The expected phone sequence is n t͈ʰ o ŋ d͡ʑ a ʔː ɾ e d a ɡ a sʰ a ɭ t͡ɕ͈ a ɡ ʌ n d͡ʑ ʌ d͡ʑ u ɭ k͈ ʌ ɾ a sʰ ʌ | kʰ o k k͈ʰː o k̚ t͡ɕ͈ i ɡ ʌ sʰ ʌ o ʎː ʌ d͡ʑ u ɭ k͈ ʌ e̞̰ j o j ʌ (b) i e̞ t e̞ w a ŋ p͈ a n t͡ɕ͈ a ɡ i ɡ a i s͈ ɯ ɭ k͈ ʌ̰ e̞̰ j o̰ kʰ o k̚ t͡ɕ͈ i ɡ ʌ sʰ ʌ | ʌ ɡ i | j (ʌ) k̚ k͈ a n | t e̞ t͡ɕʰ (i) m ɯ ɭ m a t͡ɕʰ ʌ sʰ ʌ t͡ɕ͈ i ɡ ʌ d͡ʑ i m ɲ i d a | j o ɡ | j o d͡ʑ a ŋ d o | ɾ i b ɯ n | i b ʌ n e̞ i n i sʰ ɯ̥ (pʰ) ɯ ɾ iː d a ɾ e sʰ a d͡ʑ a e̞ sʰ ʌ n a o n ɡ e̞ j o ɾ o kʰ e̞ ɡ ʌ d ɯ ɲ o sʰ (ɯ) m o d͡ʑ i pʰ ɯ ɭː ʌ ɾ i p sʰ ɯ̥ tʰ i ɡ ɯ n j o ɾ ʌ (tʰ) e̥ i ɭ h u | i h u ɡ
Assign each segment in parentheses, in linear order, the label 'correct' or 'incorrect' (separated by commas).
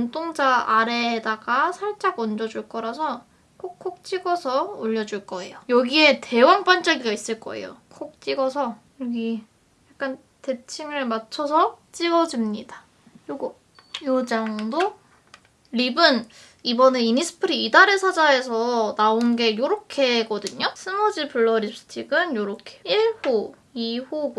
incorrect, incorrect, correct, correct, correct, incorrect